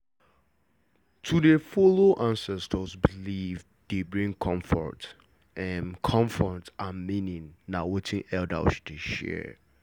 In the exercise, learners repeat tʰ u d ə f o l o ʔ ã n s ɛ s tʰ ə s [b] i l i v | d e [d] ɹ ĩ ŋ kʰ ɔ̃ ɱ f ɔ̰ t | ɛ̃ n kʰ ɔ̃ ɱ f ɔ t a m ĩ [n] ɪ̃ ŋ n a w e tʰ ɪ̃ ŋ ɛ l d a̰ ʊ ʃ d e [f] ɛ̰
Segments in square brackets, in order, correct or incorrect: correct, incorrect, correct, incorrect

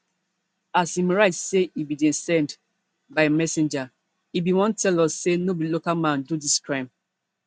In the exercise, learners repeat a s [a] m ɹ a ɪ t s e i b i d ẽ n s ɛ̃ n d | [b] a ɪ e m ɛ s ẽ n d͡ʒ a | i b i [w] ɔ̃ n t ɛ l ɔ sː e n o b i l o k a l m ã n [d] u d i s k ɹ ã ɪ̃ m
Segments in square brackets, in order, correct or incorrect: incorrect, correct, correct, correct

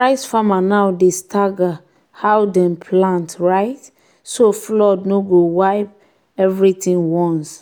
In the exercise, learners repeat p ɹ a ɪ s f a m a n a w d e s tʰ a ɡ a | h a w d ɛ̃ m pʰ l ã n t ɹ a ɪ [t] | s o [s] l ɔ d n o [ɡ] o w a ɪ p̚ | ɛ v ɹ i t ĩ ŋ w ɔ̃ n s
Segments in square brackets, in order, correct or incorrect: correct, incorrect, correct

